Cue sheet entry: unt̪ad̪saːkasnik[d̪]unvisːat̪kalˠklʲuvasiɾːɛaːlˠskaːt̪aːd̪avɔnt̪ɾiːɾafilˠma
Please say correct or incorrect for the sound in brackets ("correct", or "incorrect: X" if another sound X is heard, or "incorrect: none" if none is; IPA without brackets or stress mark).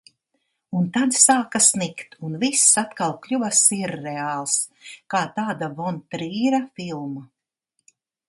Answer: incorrect: t̪